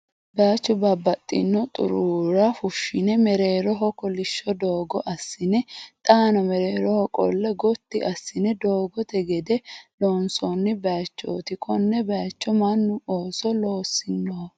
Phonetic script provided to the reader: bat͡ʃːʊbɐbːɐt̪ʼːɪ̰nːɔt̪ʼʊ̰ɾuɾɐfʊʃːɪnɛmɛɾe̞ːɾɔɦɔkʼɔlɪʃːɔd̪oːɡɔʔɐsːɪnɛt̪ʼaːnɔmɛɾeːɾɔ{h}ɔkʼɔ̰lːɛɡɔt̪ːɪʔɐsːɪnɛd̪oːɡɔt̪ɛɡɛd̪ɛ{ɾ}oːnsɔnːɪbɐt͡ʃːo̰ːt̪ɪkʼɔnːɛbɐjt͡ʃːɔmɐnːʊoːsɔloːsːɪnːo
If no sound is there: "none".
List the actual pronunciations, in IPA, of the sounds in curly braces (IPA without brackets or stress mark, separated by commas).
h, l